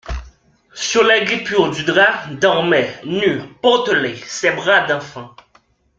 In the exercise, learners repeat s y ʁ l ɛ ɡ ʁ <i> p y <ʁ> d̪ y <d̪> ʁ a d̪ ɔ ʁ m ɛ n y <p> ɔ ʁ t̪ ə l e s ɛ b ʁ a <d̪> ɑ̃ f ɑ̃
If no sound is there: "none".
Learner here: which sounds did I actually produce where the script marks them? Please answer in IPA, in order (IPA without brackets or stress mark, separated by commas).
i, ʁ, d̪, p, d̪